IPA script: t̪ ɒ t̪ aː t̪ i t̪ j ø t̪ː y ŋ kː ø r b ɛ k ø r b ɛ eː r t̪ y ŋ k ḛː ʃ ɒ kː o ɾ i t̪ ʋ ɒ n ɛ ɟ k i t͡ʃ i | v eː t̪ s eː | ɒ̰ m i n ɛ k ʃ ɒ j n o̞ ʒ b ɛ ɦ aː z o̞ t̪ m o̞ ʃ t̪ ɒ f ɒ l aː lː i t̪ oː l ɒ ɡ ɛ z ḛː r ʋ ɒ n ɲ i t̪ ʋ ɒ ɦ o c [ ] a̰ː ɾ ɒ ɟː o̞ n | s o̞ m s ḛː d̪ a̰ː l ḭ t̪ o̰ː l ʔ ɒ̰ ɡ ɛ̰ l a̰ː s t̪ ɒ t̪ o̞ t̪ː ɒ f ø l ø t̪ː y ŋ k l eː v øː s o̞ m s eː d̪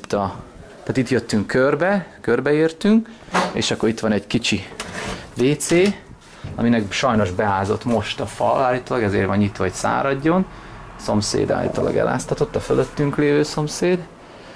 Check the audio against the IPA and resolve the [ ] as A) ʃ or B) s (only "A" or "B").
B